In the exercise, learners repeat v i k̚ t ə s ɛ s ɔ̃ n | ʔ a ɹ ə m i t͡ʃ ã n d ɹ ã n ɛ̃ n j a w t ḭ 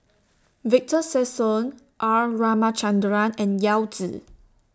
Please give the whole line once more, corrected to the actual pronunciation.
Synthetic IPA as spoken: v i k̚ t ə s ɛ s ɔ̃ n | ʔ a ɹ a m a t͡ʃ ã n d ɹ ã n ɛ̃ n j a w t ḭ